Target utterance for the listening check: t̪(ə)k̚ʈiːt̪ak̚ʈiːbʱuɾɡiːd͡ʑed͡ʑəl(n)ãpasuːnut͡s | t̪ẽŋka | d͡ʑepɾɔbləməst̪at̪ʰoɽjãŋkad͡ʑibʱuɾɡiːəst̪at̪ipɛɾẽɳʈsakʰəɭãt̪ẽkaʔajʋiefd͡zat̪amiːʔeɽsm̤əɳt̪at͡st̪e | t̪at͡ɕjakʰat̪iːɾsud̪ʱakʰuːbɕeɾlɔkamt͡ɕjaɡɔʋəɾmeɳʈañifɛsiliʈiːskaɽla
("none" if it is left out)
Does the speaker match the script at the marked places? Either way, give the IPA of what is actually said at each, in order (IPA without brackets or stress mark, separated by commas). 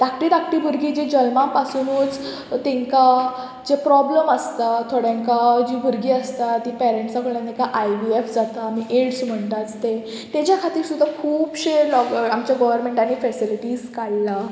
a, m